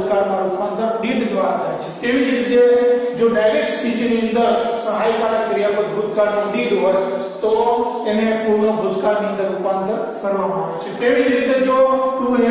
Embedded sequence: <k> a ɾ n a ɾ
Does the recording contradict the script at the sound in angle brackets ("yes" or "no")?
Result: no